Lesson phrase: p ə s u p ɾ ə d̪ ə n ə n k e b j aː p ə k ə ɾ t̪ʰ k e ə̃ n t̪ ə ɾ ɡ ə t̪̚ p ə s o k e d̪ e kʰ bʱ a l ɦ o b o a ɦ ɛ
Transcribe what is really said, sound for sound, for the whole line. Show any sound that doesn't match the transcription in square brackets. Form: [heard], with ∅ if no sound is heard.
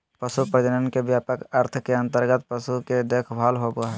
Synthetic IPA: p ə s u p ɾ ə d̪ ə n ə n k e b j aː p ə k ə ɾ t̪ʰ k e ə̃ n t̪ ə ɾ ɡ ə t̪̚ p ə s [u] k e d̪ e kʰ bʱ a l ɦ o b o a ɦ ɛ